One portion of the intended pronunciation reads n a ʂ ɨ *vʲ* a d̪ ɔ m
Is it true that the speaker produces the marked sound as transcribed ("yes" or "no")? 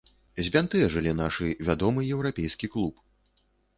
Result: yes